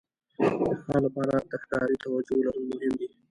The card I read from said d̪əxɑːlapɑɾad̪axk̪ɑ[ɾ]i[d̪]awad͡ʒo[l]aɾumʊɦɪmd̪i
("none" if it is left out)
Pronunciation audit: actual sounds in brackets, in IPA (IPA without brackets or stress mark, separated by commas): ɾ, t̪, l